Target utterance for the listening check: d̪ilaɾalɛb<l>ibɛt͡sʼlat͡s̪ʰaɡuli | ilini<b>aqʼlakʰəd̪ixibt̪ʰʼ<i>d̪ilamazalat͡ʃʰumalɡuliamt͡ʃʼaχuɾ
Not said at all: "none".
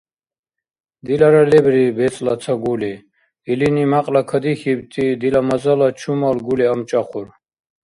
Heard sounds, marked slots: ɾ, m, i

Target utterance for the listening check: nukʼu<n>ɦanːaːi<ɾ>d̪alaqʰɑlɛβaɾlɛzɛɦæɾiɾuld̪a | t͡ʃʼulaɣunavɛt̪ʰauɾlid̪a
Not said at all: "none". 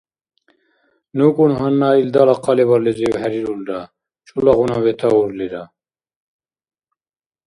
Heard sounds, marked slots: n, l

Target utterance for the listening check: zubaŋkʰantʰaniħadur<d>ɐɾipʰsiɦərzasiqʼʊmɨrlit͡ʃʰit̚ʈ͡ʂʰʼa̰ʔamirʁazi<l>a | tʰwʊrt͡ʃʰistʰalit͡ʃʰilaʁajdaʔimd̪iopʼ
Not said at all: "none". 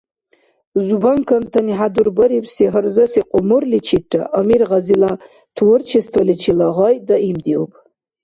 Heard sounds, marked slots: b, l

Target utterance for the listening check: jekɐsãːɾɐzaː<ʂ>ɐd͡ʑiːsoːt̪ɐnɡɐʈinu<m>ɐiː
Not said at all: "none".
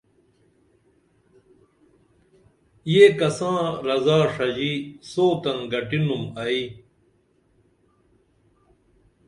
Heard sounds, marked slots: ʂ, m

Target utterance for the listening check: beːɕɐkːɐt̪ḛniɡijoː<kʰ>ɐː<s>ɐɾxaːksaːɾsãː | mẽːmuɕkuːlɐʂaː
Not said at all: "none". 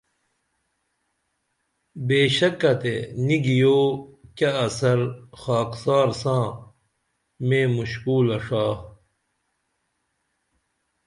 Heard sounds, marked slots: k, s

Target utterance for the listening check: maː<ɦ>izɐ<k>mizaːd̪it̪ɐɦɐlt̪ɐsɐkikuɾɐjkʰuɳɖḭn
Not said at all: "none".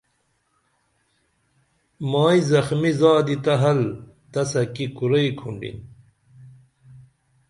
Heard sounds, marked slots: none, x

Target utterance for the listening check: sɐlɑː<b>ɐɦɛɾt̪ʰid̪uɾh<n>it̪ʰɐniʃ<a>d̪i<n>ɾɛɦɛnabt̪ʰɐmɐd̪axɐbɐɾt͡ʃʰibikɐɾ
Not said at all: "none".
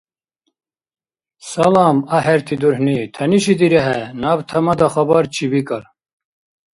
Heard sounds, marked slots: m, n, i, none

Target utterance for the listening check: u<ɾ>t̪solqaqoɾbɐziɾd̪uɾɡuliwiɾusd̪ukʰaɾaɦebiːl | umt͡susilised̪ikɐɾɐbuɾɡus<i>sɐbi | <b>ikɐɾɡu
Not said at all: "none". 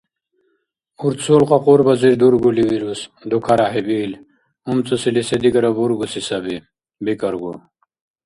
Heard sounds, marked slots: ɾ, i, b

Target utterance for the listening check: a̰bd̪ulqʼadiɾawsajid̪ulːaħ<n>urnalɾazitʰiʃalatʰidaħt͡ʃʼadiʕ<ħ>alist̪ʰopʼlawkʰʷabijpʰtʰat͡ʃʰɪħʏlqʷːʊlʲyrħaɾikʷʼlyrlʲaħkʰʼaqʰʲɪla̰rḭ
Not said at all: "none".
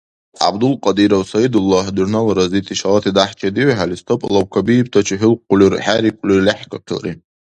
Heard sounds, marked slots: d, ħ

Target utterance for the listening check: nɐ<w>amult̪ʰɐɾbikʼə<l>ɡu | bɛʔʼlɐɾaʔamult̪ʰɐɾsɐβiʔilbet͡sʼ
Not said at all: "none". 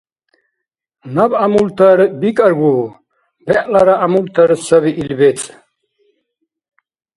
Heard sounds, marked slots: b, ɾ

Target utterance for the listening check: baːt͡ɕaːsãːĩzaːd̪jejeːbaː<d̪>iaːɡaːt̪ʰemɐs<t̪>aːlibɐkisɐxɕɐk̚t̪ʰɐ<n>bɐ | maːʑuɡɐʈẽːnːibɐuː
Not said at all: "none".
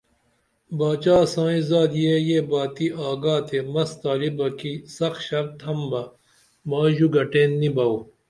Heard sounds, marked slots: t̪, t̪, m

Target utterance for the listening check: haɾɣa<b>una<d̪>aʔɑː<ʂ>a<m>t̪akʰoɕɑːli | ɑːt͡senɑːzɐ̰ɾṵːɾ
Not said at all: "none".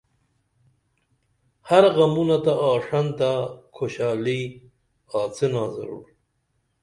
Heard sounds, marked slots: m, t̪, ʂ, n

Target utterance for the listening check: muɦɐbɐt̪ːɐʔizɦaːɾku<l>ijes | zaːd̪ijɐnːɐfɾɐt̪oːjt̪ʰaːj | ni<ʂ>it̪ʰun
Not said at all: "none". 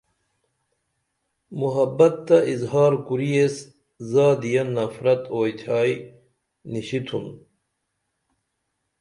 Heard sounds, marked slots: ɾ, ɕ

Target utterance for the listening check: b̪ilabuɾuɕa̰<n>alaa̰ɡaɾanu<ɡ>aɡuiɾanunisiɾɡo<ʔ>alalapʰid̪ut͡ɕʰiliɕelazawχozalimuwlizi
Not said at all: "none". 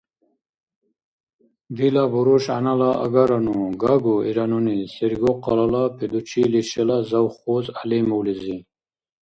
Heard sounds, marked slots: n, ɡ, q

